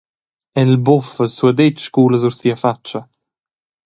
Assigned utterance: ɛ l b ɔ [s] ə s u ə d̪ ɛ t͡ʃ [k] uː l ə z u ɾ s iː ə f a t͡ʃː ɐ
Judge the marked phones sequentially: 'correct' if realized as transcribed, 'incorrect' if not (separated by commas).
incorrect, correct